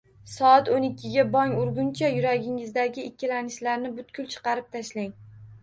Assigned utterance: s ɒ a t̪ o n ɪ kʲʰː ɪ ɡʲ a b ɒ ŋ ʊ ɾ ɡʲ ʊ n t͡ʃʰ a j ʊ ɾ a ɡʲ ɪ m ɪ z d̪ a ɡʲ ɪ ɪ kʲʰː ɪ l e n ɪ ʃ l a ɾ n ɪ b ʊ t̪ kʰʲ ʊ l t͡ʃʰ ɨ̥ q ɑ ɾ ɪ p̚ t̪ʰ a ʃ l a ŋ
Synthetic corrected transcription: s ɒ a t̪ o n ɪ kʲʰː ɪ ɡʲ a b ɒ ŋ ʊ ɾ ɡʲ ʊ n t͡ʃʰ a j ʊ ɾ a ɡʲ ɪ ŋ ɪ z d̪ a ɡʲ ɪ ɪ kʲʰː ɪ l a n ɪ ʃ l a ɾ n ɪ b ʊ t̪ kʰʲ ʊ l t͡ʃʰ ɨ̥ q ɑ ɾ ɪ p̚ t̪ʰ a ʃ l a ŋ